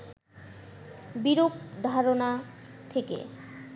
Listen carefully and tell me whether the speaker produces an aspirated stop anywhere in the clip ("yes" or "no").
yes